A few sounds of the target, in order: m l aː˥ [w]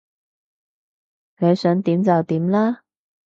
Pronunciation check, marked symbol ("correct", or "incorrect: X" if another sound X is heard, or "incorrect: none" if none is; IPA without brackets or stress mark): incorrect: none